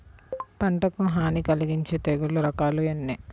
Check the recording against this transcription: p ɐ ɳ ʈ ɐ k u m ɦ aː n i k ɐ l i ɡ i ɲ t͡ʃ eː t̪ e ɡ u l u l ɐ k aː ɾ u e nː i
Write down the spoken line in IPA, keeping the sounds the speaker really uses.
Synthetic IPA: p ɐ ɳ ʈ ɐ k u m ɦ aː n i k ɐ l i ɡ i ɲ t͡ʃ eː t̪ e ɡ u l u ɾ ɐ k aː l u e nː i

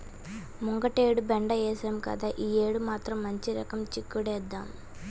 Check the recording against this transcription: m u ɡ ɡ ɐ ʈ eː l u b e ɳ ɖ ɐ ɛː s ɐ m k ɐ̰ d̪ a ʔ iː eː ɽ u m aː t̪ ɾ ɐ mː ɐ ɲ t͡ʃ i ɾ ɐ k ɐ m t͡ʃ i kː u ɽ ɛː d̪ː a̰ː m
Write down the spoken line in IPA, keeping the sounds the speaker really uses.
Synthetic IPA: m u ŋ ɡ ɐ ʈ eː ɽ u b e ɳ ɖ ɐ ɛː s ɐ m k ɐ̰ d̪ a ʔ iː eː ɽ u m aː t̪ ɾ ɐ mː ɐ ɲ t͡ʃ i ɾ ɐ k ɐ m t͡ʃ i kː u ɽ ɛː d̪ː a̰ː m

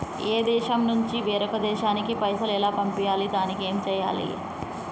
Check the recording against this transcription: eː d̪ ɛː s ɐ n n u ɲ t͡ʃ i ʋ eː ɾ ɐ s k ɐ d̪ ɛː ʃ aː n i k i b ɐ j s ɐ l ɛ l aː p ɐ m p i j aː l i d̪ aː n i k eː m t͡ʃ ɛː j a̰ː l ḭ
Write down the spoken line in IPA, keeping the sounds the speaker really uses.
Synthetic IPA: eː d̪ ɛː ʃ ɐ m n u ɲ t͡ʃ i ʋ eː ɾ ɐ k ɐ d̪ ɛː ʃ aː n i k i p ɐ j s ɐ l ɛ l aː p ɐ m p i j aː l i d̪ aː n i k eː m t͡ʃ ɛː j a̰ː l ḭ

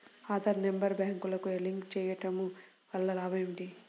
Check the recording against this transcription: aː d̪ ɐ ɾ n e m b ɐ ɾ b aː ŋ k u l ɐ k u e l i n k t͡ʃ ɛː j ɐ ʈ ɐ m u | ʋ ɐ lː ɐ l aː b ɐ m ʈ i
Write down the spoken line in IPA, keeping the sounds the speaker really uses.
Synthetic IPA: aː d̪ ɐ ɾ n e m b ɐ ɾ b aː ŋ k u l ɐ k u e l i ŋ k t͡ʃ ɛː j ɐ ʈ ɐ m u | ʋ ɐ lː ɐ l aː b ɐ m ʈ i

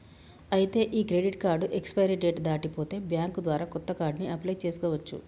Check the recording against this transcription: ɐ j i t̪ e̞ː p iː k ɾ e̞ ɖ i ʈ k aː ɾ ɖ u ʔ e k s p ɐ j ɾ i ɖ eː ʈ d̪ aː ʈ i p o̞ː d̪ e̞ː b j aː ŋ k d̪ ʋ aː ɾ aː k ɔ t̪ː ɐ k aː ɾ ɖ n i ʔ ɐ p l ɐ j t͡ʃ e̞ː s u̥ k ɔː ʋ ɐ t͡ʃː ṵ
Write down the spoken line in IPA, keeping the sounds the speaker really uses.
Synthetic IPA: ɐ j i t̪ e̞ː ʔ iː k ɾ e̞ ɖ i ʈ k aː ɾ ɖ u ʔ e k s p ɐ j ɾ i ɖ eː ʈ d̪ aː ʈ i p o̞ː t̪ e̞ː b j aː ŋ k d̪ ʋ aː ɾ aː k ɔ t̪ː ɐ k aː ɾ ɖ n i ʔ ɐ p l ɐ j t͡ʃ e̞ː s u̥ k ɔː ʋ ɐ t͡ʃː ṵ

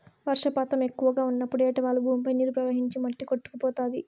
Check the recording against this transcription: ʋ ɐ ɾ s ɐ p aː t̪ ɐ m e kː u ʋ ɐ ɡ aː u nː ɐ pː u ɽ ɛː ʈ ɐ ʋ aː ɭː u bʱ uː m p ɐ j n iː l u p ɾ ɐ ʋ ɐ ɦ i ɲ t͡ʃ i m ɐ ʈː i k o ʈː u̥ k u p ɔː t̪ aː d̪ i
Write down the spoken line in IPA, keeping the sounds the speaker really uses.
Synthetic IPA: ʋ ɐ ɾ ʂ ɐ p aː t̪ ɐ m e kː u ʋ ɐ ɡ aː u nː ɐ pː u ɽ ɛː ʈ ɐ ʋ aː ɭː u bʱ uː m p ɐ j n iː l u p ɾ ɐ ʋ ɐ ɦ i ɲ t͡ʃ i m ɐ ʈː i k o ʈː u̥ k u p ɔː t̪ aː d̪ i

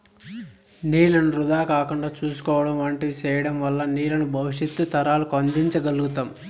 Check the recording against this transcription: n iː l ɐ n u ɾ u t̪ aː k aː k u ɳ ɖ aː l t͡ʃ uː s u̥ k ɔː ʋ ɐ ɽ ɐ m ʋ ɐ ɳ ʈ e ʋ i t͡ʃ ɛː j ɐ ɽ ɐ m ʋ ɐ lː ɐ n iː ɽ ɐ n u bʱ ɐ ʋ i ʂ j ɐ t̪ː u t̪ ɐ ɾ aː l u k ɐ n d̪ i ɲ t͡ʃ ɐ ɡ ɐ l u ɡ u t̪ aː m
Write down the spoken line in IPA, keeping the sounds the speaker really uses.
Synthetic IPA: n iː l ɐ n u ɾ u d̪ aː k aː k u ɳ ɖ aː t͡ʃ uː s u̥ k ɔː ʋ ɐ ɽ ɐ m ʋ ɐ ɳ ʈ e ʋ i t͡ʃ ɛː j ɐ ɽ ɐ m ʋ ɐ lː ɐ n iː l ɐ n u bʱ ɐ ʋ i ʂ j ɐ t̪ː u t̪ ɐ ɾ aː l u k ɐ n d̪ i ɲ t͡ʃ ɐ ɡ ɐ l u ɡ u t̪ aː m

